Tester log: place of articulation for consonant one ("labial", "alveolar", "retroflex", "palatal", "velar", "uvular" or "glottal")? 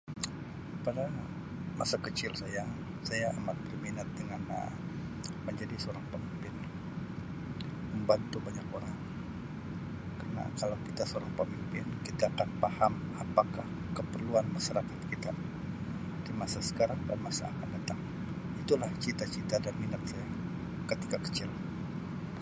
labial